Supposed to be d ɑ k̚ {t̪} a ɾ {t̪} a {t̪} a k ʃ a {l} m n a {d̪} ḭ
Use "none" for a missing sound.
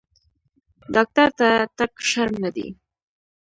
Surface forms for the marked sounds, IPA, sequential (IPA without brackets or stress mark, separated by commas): t̪, t̪, t̪, ɾ, d̪